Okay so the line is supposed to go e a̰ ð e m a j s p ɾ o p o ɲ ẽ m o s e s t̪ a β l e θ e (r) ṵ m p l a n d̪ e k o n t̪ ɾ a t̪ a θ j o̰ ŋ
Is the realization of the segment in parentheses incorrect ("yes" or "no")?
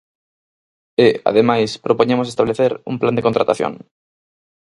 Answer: yes